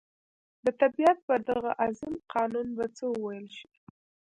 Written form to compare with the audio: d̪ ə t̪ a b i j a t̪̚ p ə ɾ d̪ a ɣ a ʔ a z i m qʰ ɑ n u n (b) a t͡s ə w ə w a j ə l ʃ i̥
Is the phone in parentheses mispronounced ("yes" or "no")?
no